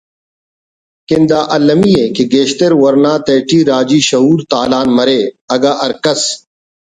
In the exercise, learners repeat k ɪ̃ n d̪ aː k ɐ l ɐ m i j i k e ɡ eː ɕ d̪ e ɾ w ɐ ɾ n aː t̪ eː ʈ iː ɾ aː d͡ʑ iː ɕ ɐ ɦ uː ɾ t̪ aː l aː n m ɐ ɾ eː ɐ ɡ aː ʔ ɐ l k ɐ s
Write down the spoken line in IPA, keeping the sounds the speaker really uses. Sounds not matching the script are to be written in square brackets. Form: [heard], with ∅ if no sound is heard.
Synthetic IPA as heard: k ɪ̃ n d̪ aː [ʔ] ɐ l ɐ m i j [e] k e ɡ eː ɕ [t̪] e ɾ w ɐ ɾ n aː t̪ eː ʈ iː ɾ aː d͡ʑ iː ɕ ɐ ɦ uː ɾ t̪ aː l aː n m ɐ ɾ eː ɐ ɡ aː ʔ ɐ [ɾ] k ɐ s